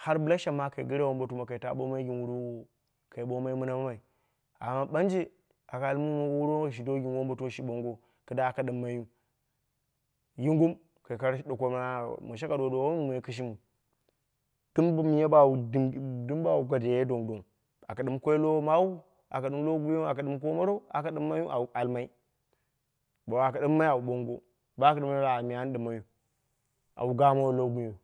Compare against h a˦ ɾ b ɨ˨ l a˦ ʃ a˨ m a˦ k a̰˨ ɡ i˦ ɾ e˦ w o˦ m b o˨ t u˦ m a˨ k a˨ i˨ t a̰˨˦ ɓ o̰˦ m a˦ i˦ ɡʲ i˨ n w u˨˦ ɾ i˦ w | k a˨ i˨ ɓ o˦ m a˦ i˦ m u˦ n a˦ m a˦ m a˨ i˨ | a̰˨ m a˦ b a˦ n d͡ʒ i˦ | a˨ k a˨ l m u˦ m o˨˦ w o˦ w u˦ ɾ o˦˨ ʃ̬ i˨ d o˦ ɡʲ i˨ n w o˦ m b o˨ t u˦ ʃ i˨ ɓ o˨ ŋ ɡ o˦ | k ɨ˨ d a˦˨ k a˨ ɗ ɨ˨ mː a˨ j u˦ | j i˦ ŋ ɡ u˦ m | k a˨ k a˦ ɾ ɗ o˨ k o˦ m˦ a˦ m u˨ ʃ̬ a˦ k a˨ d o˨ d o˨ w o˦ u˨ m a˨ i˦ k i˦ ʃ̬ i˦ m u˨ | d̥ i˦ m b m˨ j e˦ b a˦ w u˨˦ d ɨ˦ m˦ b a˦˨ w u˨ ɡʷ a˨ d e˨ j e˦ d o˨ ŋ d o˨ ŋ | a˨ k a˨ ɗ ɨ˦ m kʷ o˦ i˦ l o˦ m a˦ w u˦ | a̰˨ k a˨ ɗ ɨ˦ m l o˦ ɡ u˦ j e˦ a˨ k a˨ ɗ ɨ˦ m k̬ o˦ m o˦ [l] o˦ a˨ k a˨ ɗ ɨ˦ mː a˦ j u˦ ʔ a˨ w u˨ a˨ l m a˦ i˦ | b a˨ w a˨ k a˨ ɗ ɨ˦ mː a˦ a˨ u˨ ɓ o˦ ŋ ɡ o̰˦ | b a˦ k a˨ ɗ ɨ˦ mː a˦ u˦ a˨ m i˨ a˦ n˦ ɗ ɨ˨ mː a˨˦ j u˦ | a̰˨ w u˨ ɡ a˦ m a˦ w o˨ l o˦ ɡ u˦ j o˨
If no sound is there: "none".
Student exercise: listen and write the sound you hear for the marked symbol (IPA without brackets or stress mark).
ɾ